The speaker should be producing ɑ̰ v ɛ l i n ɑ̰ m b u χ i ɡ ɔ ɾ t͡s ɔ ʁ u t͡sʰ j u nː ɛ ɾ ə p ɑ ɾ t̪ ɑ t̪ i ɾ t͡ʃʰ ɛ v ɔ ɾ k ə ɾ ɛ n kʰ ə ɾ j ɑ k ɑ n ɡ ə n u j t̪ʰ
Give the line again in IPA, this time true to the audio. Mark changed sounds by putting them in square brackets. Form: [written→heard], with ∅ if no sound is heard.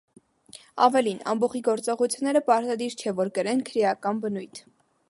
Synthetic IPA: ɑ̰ v ɛ l i n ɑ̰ m b [u→ɔ] χ i ɡ ɔ ɾ t͡s ɔ ʁ u t͡sʰ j u nː ɛ ɾ ə p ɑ ɾ t̪ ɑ [t̪→d̪] i ɾ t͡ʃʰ ɛ v ɔ ɾ k ə ɾ ɛ n kʰ ə ɾ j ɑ k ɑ n [ɡ→b] ə n u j t̪ʰ